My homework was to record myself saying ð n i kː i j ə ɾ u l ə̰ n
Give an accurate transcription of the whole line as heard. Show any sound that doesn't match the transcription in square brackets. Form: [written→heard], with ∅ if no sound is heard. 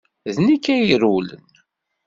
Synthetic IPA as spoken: ð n i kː [i→æ] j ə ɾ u l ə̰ n